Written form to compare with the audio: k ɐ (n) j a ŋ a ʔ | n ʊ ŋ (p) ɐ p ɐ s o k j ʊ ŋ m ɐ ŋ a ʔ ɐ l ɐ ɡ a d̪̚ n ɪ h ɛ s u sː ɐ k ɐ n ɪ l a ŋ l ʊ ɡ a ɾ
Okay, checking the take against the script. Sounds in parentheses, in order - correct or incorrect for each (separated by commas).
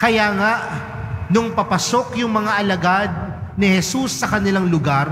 incorrect, correct